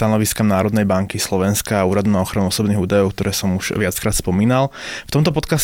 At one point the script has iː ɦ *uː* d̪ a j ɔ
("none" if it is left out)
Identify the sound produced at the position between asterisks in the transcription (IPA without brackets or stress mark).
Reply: uː